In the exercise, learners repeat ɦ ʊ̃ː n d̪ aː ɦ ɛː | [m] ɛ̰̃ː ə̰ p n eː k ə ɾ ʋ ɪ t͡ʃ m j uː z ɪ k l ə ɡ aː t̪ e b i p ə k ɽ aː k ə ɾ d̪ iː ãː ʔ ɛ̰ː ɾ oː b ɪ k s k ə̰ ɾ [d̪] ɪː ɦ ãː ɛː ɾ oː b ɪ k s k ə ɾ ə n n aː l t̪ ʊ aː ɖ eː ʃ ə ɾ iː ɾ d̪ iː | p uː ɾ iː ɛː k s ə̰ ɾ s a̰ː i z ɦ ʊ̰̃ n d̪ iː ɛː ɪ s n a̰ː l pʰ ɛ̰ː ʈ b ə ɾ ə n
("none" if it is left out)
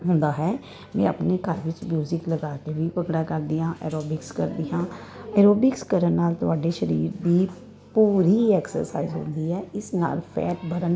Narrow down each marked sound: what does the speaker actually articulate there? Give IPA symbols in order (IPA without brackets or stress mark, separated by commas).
m, d̪